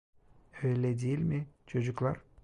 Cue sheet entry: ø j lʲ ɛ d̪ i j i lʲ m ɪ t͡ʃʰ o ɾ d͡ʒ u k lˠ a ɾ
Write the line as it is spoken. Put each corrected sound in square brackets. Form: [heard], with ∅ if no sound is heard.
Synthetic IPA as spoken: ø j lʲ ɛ d̪ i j i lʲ m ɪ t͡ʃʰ o [∅] d͡ʒ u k lˠ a ɾ